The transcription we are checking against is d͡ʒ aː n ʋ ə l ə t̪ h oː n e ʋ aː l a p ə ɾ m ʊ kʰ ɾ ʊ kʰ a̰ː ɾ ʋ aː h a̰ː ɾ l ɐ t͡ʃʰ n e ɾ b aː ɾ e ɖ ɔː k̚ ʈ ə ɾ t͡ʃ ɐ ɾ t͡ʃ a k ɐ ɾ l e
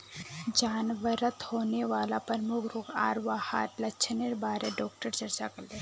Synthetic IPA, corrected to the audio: d͡ʒ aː n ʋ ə ɾ ə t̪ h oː n e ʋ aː l a p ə ɾ m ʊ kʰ ɾ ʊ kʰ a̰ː ɾ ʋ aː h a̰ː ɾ l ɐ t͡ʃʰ n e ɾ b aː ɾ e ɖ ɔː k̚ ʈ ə ɾ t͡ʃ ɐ ɾ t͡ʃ a k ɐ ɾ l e